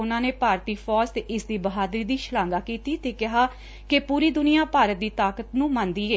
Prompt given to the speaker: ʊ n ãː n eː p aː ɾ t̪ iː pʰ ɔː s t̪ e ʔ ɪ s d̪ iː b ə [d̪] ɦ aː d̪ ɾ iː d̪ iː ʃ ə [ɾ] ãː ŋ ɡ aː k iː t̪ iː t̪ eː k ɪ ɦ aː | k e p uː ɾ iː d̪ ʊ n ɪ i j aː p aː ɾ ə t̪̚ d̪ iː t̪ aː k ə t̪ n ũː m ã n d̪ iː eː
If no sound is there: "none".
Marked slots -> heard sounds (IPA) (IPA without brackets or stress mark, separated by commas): none, l